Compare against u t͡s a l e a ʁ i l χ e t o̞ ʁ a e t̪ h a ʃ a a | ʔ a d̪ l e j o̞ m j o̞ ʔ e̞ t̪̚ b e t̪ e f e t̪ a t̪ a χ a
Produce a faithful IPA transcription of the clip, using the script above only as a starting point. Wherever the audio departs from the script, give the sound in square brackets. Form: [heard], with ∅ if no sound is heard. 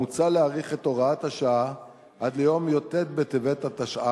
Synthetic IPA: u t͡s a l e a ʁ i [∅] χ e t o̞ ʁ a [a] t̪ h a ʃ a a | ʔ a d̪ l e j o̞ m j o̞ [t] e̞ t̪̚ b e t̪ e [v] e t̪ a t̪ a [ʃ] a